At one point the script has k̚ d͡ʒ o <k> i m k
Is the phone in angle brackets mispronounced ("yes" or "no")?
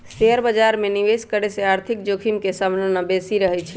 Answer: yes